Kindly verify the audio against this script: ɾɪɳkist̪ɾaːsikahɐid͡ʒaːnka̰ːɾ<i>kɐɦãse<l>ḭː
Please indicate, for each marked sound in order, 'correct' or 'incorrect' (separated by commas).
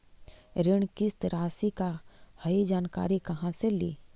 correct, correct